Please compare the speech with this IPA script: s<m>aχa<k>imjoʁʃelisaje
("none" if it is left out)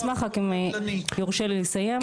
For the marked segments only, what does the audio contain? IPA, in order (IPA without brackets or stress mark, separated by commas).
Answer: m, k